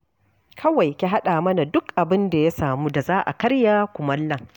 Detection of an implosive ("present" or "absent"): present